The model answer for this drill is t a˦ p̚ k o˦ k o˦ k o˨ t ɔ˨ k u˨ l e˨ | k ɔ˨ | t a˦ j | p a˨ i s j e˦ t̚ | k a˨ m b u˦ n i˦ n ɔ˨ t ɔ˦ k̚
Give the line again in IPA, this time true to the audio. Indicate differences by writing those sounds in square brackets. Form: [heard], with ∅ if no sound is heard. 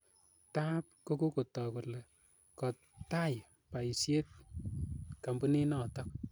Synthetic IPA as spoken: t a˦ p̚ k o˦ k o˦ k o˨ t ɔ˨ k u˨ l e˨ | k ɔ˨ | t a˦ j | p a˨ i s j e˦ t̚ | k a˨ m b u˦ n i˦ n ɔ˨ t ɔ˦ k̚

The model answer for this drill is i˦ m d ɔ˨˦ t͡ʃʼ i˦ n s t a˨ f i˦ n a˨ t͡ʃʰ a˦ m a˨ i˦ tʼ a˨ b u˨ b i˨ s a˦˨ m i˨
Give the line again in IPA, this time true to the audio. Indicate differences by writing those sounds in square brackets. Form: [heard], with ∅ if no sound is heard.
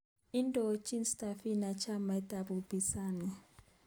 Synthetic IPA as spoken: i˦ [n] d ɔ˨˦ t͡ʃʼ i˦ n s t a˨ f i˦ n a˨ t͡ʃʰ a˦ m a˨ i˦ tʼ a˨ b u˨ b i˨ s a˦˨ [n] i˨

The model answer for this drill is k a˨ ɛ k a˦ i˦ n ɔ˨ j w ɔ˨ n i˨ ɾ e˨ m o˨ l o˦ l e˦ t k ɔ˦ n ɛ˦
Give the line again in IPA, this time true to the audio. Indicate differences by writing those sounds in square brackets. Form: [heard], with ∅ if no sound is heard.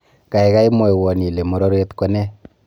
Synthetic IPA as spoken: k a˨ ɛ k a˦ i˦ [m] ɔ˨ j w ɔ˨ n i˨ [l] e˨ m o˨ [ɾ] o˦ [ɾ] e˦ t k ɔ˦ n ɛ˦

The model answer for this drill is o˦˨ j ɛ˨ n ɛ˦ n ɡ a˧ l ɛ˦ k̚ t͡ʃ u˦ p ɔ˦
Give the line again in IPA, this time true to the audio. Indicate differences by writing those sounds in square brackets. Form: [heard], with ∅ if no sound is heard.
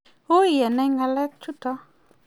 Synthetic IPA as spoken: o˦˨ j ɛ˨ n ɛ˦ [ŋ] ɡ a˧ l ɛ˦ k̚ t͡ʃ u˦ [t] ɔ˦

